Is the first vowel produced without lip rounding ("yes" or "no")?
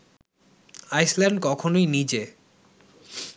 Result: yes